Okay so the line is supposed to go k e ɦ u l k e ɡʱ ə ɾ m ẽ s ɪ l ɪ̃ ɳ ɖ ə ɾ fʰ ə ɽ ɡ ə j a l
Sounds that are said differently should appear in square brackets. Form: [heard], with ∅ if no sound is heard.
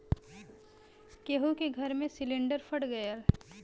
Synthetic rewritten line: k e ɦ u [∅] k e ɡʱ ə ɾ m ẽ s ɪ l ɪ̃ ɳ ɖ ə ɾ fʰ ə ɽ ɡ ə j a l